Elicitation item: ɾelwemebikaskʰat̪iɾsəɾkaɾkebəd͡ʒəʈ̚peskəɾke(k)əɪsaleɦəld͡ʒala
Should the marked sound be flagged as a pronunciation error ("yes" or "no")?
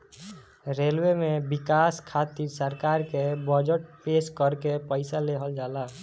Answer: yes